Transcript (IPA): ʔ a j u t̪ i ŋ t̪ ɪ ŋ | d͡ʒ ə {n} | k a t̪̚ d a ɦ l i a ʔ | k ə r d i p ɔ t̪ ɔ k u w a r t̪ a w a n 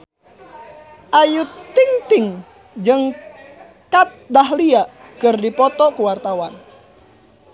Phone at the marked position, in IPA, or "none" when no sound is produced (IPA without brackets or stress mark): ŋ